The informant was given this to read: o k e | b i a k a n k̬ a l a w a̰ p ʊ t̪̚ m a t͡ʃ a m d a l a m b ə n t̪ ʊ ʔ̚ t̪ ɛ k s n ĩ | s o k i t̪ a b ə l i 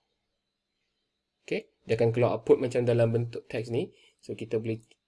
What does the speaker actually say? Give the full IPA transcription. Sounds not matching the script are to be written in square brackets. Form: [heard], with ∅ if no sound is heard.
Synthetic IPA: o k e | [d] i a k a n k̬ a l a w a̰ p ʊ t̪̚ m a t͡ʃ a m d a l a m b ə n t̪ ʊ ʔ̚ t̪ ɛ k s n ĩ | s o k i t̪ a b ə l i